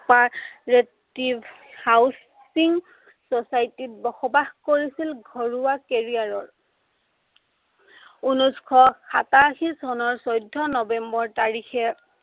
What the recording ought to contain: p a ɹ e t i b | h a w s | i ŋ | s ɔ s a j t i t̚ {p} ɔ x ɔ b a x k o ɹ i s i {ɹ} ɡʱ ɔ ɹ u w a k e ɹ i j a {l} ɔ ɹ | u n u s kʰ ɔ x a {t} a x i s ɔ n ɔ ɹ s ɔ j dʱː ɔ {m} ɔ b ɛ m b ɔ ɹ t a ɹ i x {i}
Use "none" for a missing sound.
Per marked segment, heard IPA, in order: b, l, ɹ, t, n, ɛ

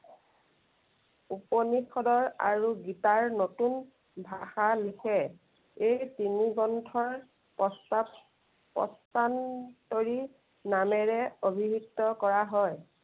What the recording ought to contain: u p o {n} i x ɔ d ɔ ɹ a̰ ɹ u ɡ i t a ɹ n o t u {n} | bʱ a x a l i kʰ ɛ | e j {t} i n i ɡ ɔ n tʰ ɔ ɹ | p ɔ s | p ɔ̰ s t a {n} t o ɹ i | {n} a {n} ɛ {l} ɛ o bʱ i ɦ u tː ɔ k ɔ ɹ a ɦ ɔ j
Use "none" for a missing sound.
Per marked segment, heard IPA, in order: n, n, t, n, n, m, ɹ

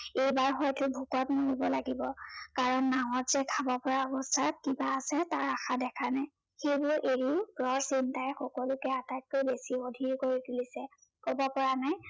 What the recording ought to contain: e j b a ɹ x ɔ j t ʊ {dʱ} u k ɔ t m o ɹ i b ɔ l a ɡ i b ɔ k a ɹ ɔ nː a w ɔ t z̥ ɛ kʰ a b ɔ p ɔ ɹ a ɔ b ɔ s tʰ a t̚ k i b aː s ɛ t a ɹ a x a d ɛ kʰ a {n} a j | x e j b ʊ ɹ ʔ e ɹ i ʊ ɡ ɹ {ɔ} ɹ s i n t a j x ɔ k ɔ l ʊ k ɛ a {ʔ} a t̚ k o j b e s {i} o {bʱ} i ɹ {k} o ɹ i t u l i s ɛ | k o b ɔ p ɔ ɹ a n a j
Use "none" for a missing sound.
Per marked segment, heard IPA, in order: bʱ, n, ɔ, t, i, dʱ, k

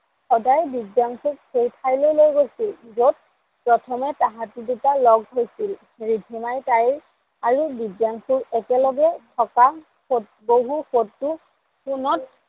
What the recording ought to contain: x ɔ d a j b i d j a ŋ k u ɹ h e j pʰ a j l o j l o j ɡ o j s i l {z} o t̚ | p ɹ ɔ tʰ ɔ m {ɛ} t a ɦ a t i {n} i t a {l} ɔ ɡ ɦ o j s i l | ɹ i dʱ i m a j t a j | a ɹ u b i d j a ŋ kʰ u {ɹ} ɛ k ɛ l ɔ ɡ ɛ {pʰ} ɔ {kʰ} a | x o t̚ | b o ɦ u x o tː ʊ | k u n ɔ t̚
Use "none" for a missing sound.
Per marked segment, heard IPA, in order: z, ɛ, d, l, ɹ, tʰ, k

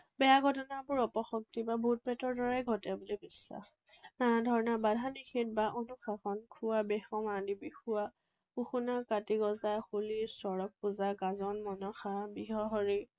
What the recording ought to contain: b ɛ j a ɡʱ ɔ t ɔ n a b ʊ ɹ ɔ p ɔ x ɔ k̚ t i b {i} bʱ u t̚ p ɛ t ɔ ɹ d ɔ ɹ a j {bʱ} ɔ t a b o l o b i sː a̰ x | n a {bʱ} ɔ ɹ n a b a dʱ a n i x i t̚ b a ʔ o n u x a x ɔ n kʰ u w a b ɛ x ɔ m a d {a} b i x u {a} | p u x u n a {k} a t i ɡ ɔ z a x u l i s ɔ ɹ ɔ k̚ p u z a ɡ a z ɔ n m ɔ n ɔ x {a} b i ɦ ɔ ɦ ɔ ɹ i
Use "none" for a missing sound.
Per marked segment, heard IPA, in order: a, ɡʱ, dʱ, i, a, k, a

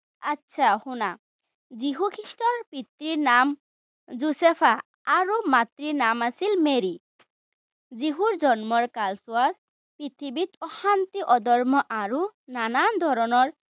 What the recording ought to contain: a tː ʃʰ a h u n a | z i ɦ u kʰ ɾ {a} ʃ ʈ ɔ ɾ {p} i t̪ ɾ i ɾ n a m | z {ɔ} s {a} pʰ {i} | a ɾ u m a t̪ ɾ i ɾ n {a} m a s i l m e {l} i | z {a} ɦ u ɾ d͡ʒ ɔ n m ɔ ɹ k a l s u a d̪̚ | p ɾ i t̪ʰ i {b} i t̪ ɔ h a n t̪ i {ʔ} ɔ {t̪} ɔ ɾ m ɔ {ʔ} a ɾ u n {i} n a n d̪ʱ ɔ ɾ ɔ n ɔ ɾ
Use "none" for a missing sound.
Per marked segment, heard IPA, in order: i, p, u, e, a, a, ɾ, i, b, ʔ, d̪, ʔ, a

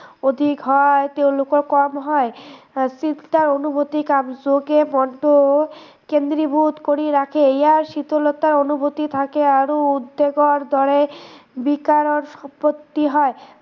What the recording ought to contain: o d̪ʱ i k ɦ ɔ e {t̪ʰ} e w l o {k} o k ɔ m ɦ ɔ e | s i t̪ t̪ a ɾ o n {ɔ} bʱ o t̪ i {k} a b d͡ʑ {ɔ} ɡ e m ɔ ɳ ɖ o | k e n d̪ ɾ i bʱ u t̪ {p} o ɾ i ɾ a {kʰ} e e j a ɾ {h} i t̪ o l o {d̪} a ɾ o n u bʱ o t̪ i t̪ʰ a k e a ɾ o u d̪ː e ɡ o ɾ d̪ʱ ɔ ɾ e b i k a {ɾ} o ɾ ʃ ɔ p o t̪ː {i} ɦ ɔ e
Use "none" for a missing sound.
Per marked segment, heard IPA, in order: t̪, k, u, k, o, k, kʰ, ʃ, t̪, ɾ, i

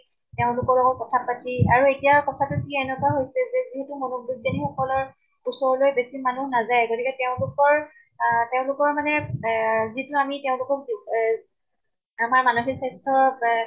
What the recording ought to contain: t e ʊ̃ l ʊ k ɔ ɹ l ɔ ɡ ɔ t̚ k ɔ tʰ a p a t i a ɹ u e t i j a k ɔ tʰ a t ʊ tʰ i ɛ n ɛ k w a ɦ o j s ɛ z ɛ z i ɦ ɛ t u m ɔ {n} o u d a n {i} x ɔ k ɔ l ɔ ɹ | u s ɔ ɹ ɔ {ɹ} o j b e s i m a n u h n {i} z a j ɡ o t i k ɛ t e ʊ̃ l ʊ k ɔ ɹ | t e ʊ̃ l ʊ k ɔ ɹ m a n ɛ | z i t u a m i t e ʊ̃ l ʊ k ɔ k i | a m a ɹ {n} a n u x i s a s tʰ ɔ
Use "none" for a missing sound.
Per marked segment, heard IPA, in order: n, i, l, a, m

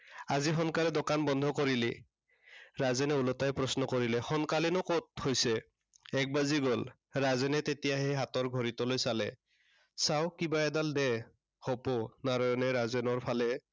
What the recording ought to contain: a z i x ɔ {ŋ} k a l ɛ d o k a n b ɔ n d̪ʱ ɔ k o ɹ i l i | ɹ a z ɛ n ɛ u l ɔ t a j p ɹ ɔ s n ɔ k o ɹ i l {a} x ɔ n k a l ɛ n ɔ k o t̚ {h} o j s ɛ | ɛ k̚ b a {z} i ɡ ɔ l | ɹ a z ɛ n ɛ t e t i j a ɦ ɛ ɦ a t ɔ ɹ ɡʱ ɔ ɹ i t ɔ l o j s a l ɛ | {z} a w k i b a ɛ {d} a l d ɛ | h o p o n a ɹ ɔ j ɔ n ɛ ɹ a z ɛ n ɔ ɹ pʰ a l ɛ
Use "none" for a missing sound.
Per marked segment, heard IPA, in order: n, ɛ, h, z, s, d

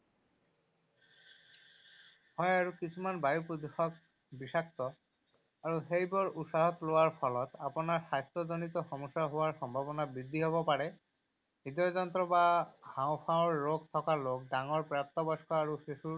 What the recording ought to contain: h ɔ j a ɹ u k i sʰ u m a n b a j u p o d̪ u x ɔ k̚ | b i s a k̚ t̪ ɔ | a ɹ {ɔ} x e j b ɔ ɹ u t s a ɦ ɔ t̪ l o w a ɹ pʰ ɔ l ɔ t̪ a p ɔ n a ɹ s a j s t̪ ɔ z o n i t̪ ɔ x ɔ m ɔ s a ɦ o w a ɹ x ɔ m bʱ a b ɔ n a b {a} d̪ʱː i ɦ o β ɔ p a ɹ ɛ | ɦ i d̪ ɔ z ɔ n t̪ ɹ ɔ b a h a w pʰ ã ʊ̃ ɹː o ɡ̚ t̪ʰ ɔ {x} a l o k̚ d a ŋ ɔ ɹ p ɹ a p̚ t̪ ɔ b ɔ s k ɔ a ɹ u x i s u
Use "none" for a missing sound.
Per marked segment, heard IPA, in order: u, i, k

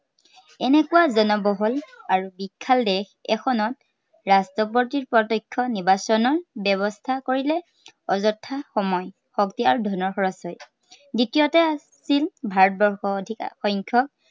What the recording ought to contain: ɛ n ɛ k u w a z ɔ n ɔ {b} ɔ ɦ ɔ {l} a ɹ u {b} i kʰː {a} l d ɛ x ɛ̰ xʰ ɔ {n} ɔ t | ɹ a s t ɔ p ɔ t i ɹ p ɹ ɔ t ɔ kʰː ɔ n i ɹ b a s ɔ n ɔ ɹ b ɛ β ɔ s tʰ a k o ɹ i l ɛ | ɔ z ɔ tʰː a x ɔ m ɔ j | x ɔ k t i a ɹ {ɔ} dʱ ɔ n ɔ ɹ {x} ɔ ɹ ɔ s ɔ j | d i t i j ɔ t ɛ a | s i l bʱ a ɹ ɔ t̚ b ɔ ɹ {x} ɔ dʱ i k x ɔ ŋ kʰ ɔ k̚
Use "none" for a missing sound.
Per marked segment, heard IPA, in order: b, l, b, a, n, u, x, x

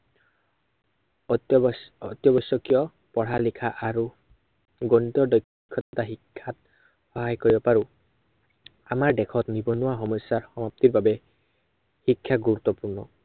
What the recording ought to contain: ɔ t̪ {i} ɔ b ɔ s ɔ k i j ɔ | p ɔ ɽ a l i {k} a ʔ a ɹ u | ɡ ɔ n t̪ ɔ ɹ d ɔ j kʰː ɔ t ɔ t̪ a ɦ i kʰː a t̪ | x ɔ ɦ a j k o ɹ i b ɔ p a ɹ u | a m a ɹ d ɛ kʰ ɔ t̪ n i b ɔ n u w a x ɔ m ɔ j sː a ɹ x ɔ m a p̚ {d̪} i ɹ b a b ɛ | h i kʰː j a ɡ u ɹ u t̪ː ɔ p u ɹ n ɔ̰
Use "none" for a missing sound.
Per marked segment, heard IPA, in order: j, kʰ, t̪

